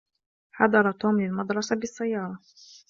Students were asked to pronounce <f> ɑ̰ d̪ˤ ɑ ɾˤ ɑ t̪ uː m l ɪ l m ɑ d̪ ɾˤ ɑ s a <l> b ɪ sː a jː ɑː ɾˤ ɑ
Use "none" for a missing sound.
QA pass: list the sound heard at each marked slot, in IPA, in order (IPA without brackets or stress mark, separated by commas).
ħ, none